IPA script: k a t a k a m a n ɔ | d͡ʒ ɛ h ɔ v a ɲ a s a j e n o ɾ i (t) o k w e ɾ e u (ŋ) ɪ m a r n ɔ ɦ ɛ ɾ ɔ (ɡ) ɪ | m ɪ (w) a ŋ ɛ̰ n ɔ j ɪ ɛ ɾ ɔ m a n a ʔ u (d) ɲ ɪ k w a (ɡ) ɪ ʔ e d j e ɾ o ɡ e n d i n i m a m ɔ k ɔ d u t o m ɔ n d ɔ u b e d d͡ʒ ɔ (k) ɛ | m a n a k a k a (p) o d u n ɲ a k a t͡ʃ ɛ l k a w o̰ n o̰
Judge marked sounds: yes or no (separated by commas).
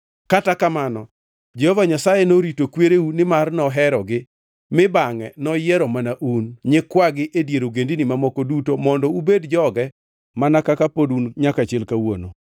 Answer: yes, no, yes, no, no, yes, no, yes